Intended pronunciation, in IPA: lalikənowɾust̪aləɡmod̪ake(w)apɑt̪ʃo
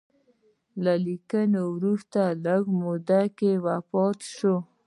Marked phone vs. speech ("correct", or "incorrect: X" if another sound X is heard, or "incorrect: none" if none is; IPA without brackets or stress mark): correct